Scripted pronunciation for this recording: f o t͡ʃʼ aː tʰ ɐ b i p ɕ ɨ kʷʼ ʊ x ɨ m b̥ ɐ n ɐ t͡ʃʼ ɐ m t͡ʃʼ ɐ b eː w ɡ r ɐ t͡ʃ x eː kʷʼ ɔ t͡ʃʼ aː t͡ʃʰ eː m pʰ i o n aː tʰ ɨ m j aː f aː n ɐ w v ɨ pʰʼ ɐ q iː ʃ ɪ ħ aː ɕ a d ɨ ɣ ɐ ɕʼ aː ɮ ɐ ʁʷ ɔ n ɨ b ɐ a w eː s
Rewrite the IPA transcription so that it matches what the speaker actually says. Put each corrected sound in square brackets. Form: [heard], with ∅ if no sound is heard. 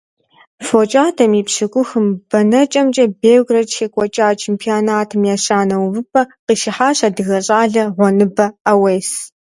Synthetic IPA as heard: f o t͡ʃʼ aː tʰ ɐ [m] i p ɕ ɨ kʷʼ ʊ x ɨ m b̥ ɐ n ɐ t͡ʃʼ ɐ m t͡ʃʼ ɐ b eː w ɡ r ɐ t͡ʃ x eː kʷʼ ɔ t͡ʃʼ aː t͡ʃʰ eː m pʰ i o n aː tʰ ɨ m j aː [ɕ] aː n ɐ w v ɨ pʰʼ ɐ q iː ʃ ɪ ħ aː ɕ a d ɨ ɣ ɐ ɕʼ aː ɮ ɐ ʁʷ ɔ n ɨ b ɐ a w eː s